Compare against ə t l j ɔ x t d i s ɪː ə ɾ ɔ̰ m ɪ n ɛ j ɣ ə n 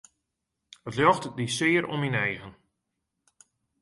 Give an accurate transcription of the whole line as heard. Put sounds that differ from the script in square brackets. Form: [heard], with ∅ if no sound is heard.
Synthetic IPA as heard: ə t l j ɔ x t d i s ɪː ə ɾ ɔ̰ m [i] n ɛ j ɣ ə n